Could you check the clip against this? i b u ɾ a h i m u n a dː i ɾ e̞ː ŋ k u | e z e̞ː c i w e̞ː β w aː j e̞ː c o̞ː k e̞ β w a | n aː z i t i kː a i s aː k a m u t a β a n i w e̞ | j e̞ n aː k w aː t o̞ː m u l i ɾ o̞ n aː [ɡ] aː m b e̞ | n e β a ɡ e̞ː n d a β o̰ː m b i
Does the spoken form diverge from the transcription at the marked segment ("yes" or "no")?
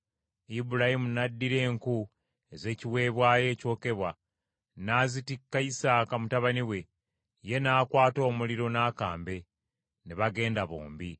yes